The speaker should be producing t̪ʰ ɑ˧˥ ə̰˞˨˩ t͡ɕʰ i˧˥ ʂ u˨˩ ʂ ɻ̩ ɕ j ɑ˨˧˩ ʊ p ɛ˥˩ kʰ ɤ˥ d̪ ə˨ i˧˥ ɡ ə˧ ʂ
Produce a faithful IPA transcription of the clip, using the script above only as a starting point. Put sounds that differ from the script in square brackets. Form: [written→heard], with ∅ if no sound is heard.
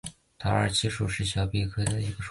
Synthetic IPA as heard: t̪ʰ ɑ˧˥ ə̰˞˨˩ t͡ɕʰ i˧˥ ʂ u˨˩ ʂ ɻ̩ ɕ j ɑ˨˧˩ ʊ p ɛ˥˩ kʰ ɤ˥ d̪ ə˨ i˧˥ ɡ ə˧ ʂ